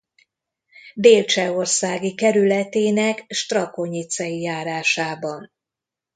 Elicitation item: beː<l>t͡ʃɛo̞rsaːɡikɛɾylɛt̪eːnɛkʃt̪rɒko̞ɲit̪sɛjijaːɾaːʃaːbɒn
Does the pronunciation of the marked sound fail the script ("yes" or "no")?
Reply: no